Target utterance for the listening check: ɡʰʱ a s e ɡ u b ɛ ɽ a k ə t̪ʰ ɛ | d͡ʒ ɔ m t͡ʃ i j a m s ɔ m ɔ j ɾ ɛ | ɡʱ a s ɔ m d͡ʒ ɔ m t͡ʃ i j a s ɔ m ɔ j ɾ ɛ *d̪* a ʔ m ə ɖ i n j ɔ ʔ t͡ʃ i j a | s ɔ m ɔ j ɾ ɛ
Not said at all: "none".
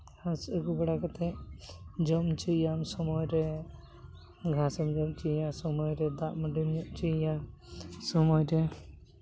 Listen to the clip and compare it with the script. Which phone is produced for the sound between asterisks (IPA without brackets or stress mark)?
d̪